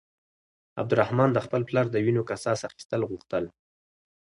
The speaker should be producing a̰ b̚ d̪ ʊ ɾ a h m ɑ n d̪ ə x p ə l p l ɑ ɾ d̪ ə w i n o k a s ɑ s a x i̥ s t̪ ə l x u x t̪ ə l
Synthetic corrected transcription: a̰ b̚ d̪ ʊ ɾ a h m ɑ n d̪ ə x p ə l p l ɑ ɾ d̪ ə w i n o k a s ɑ s a x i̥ s t̪ ə l ɣ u x t̪ ə l